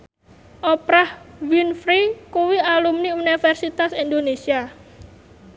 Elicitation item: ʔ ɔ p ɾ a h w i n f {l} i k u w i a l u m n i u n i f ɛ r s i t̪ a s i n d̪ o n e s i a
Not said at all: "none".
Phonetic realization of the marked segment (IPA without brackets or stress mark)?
ɾ